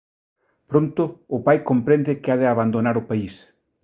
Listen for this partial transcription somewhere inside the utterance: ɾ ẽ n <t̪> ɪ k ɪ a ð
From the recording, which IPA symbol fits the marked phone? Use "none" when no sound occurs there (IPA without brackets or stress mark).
d̪